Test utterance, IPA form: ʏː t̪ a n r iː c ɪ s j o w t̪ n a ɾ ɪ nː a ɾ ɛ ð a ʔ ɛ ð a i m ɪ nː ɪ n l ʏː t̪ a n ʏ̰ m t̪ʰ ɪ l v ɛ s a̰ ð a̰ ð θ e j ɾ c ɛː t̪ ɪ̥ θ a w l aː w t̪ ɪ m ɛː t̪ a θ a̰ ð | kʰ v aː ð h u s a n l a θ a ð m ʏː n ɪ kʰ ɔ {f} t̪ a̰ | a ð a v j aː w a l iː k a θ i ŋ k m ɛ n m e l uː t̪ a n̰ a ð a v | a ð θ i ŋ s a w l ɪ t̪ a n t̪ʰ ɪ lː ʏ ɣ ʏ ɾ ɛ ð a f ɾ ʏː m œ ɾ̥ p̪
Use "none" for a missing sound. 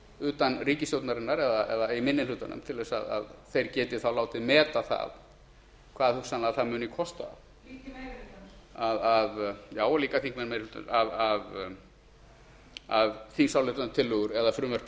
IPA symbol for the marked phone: s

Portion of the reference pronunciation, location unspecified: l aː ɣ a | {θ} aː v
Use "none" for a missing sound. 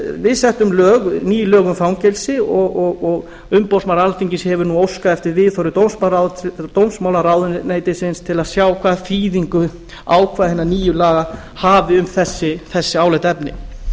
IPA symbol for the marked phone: h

